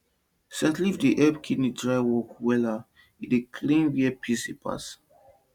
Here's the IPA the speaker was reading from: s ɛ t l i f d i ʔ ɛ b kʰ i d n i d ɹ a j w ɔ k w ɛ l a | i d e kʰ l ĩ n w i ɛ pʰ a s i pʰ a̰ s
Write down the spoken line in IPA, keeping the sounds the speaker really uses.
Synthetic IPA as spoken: s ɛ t l i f d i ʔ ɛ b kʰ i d n i d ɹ a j w ɔ k w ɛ l a | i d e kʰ l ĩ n w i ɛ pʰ i s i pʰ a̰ s